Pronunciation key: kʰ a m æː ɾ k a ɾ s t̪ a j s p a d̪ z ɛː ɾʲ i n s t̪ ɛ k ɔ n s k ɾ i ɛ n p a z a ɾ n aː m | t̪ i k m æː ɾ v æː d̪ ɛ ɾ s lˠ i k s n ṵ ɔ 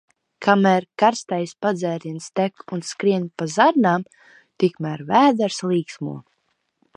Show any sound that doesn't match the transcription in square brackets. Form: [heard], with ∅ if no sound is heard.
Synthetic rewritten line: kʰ a m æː ɾ k a ɾ s t̪ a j s p a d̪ z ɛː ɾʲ i n s t̪ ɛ k [u] n s k ɾ i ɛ n p a z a ɾ n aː m | t̪ i k m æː ɾ v æː d̪ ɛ ɾ s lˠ [iː] k s [m] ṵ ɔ